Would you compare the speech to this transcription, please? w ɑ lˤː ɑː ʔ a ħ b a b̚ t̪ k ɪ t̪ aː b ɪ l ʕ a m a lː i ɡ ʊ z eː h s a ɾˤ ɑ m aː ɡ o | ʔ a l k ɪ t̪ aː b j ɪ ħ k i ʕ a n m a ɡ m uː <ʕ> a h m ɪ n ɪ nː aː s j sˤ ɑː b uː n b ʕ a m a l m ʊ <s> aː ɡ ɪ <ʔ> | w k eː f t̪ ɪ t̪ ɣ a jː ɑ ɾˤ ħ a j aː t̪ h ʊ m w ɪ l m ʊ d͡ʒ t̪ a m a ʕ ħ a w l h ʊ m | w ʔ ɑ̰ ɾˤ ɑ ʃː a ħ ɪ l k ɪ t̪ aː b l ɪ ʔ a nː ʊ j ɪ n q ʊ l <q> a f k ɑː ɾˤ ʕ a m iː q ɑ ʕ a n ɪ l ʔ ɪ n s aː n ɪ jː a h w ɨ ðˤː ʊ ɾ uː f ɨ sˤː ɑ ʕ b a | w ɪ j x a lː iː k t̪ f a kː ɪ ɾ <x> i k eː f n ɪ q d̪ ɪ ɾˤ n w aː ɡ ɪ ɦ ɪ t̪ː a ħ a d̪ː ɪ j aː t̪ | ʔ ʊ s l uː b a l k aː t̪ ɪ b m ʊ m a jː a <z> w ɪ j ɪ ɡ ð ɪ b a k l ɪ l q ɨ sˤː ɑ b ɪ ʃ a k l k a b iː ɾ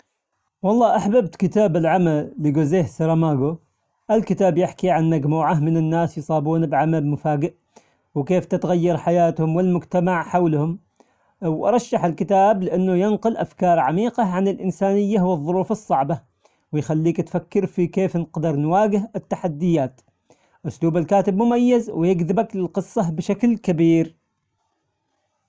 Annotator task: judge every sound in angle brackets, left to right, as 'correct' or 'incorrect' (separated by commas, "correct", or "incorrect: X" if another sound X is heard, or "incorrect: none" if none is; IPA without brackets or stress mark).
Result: correct, incorrect: f, correct, incorrect: ʔ, incorrect: f, correct